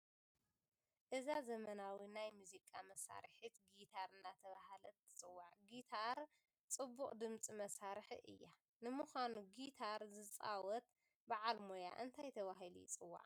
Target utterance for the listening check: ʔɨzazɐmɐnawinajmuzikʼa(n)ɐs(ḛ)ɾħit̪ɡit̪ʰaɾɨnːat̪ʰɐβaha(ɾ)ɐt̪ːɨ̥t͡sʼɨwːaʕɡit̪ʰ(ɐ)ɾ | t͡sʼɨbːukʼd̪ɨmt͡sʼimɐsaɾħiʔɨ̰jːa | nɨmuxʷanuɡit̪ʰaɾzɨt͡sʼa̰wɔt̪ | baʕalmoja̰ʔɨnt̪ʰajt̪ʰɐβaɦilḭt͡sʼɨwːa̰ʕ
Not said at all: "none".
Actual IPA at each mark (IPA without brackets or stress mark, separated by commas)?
m, a̰, l, a